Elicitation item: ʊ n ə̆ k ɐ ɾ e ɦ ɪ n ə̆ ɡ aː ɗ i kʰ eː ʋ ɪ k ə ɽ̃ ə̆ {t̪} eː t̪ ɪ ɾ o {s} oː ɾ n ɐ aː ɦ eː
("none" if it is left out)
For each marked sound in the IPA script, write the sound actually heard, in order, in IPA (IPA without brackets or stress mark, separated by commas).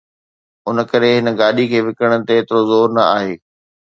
t̪, z